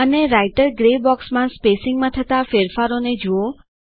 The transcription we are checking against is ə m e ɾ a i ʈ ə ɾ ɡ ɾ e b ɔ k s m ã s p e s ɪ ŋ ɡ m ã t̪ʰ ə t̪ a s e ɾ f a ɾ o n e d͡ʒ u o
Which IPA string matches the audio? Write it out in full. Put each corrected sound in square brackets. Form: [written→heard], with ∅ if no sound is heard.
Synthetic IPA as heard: ə [m→n] e ɾ a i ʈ ə ɾ ɡ ɾ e b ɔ k s m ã s p e s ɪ ŋ ɡ m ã t̪ʰ ə t̪ a [s→f] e ɾ f a ɾ o n e d͡ʒ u o

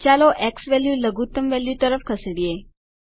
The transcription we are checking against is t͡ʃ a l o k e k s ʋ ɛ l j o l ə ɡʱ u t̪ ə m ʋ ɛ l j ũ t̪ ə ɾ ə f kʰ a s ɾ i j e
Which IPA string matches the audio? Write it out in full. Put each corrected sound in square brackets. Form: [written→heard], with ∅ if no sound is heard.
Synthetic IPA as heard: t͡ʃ a l o [k→ʔ] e k s ʋ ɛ l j [o→u] l ə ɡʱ u t̪ ə m ʋ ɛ l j [ũ→u] t̪ ə ɾ ə f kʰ [a→ə] s [ɾ→ɽ] i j e

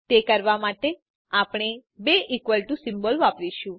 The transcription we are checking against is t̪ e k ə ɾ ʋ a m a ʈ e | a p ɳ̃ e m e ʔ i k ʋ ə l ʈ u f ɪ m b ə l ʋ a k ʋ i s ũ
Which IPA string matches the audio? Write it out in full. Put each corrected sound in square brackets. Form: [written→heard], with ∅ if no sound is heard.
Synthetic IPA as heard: t̪ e k ə ɾ ʋ a m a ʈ e | a p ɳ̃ e [m→b] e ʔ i k ʋ ə l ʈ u [f→s] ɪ m b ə l ʋ a [k→p] ʋ i [s→ʃ] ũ

